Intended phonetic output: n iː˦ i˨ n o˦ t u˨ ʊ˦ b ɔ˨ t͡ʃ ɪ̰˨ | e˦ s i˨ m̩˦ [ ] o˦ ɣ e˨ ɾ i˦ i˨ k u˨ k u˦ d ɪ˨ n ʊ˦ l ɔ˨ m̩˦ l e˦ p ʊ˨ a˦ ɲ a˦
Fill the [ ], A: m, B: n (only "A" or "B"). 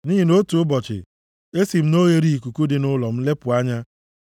B